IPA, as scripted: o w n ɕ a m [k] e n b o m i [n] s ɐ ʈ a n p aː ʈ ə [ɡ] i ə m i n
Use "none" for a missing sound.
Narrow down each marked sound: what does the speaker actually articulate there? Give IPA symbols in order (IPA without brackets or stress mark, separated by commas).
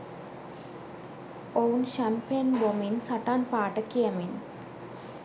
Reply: p, n, k